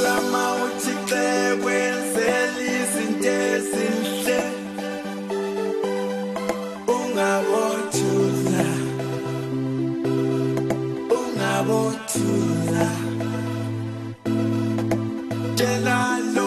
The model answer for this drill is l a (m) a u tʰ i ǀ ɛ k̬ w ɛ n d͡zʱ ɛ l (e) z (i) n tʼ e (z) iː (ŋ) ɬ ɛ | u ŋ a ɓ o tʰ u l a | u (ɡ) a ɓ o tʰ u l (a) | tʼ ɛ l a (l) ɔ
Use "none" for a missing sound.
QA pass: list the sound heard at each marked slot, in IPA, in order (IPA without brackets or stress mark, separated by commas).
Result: m, i, i, z, n, ŋ, a, l